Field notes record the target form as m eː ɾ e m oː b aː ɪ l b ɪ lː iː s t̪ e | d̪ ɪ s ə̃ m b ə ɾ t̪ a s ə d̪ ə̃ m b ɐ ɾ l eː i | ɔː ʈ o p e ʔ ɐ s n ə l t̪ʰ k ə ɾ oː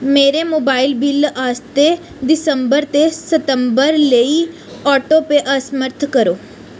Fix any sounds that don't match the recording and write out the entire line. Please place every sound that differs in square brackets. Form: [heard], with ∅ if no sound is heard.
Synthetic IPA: m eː ɾ e m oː b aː ɪ l b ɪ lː [aː] s t̪ e | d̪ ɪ s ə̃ m b ə ɾ t̪ [e] s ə [t̪] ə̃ m b [ə] ɾ l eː i | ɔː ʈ o p e ʔ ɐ s [m] ə [ɾ] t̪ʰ k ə ɾ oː